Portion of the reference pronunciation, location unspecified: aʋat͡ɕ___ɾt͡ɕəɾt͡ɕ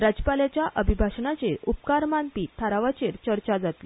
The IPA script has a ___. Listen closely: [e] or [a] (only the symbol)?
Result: e